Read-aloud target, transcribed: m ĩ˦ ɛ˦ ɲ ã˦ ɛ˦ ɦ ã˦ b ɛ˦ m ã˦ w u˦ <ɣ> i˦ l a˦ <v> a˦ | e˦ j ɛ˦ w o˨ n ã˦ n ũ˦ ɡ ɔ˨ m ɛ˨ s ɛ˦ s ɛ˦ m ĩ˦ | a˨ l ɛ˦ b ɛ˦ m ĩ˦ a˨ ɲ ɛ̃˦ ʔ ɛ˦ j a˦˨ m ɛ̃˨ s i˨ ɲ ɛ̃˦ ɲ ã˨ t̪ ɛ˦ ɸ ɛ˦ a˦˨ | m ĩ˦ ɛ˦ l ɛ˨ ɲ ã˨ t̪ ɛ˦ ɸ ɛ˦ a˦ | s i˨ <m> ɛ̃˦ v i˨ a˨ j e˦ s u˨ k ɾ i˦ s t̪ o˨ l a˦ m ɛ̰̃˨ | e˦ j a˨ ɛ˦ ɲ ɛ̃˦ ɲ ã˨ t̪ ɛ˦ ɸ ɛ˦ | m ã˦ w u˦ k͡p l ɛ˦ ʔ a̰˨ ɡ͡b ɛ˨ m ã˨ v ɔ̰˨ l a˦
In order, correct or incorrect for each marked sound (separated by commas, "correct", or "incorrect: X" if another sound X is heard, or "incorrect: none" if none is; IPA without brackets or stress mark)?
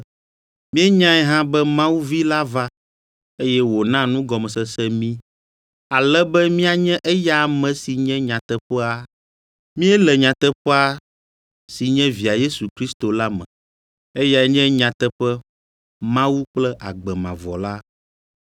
incorrect: v, correct, incorrect: ɲ